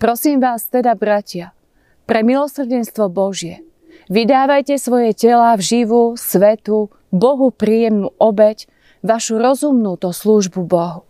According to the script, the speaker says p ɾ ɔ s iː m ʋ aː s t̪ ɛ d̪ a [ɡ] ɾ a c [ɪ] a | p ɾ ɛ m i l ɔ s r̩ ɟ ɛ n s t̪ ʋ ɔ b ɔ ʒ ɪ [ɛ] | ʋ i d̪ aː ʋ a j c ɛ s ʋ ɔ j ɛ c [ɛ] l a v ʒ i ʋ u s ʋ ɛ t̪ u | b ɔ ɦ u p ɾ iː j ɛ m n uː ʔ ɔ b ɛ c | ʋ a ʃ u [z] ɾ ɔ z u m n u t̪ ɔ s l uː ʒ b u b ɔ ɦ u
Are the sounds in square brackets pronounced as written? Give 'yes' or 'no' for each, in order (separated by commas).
no, yes, yes, yes, no